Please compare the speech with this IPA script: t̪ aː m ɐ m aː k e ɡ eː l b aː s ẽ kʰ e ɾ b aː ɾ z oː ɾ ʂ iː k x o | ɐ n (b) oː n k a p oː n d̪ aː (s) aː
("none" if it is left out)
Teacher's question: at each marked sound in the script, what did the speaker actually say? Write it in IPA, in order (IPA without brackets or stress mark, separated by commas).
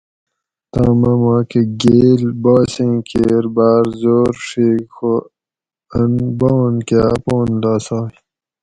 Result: b, s